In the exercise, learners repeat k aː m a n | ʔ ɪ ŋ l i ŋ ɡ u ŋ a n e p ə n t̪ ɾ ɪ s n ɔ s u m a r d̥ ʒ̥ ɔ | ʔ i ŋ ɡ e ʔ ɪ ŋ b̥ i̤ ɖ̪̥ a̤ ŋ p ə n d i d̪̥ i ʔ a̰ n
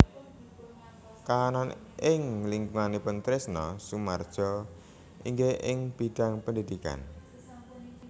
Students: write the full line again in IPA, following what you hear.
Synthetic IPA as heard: k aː n a n | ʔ ɪ ŋ l i ŋ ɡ u ŋ a n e p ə n t̪ ɾ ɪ s n ɔ s u m a r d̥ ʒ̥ ɔ | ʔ i ŋ ɡ e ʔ ɪ ŋ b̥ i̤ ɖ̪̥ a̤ ŋ p ə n d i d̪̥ i k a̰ n